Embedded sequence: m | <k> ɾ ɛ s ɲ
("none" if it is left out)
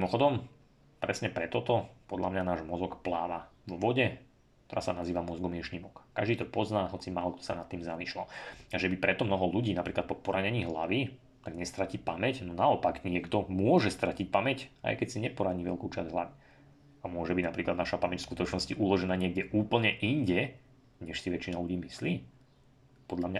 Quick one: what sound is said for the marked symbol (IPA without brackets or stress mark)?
p